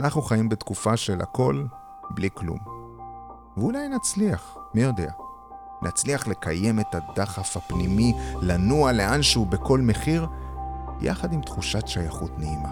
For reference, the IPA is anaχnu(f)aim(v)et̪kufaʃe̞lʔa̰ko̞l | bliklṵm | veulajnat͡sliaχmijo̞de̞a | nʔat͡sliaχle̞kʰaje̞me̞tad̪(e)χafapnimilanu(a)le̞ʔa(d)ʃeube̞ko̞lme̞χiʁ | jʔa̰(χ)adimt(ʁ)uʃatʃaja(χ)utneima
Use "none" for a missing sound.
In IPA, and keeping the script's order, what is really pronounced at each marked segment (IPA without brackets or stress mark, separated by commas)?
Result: χ, b, a, a, n, χ, χ, χ